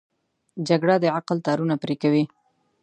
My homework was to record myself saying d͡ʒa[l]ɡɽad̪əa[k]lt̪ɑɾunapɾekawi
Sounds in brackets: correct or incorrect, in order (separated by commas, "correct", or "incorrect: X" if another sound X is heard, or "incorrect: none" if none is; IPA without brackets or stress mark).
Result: incorrect: none, incorrect: q